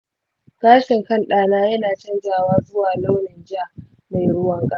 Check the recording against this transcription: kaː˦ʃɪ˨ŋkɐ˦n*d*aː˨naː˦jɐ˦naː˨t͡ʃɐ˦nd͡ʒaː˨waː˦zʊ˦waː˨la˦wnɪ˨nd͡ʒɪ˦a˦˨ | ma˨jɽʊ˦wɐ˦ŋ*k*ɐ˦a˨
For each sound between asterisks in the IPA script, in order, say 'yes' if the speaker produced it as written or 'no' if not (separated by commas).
no, no